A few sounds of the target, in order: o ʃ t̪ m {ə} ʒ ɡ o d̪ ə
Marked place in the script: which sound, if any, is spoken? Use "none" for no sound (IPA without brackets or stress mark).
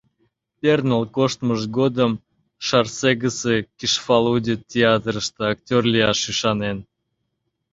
ə